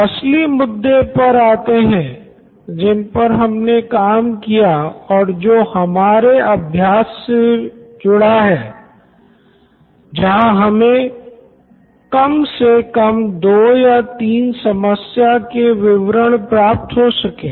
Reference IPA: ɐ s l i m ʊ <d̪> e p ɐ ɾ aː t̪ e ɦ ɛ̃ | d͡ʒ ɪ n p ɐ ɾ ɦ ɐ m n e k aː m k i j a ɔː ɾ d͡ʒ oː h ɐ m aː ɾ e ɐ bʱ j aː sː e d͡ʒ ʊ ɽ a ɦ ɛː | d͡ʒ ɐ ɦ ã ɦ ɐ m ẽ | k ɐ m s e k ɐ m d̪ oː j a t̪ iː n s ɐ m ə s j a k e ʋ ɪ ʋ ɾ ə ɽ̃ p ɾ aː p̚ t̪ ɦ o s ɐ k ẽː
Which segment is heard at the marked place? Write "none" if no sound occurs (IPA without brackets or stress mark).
d̪ː